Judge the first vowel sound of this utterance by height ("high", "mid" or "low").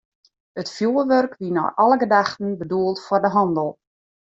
mid